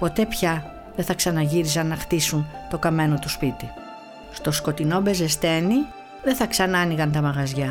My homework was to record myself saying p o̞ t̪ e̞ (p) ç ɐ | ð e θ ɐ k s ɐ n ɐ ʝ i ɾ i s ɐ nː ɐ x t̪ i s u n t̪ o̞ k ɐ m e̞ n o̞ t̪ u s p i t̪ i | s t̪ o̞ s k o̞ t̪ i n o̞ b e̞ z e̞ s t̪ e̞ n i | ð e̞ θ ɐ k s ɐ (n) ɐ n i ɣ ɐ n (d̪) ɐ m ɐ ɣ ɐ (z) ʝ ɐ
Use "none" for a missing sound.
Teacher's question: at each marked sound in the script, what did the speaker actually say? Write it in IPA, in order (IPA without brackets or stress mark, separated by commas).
p, n, t̪, z